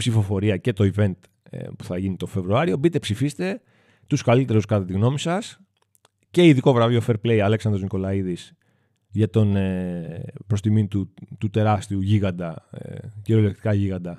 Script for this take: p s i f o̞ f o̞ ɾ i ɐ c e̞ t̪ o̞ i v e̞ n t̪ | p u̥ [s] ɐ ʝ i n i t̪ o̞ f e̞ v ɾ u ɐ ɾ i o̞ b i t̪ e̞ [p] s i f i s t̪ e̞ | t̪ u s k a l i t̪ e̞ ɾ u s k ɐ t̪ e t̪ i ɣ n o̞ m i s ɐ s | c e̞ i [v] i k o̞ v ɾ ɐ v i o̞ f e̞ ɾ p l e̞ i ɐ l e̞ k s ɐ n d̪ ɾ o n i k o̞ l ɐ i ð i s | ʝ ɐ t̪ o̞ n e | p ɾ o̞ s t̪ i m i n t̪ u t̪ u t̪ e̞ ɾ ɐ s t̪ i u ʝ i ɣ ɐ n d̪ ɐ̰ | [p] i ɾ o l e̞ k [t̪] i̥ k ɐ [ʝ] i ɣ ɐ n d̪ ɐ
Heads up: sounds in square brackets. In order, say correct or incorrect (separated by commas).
incorrect, correct, incorrect, incorrect, correct, correct